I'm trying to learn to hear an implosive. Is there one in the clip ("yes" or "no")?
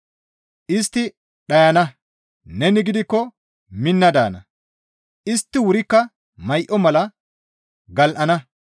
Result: yes